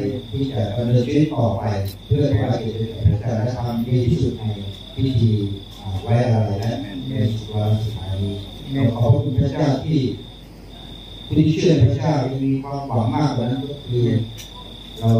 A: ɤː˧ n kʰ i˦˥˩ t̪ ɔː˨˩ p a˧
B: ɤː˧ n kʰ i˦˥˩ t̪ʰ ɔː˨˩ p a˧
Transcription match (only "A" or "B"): A